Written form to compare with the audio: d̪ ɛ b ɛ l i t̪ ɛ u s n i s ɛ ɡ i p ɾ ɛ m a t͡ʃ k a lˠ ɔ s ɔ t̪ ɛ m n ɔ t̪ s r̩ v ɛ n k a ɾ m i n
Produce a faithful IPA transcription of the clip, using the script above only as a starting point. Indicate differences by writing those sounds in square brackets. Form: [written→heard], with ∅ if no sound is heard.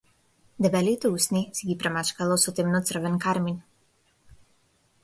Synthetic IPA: d̪ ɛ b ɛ l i t̪ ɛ u s n i s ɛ ɡ i p ɾ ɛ m a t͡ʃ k a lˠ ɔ s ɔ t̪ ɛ m n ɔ t̪ s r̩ v ɛ n k a ɾ m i n

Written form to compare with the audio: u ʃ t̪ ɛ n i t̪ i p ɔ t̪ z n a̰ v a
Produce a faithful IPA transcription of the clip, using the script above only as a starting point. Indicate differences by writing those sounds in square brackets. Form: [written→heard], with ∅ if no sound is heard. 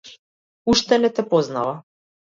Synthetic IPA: u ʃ t̪ ɛ n [i→ɛ] t̪ [i→ɛ] p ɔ [t̪→∅] z n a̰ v a

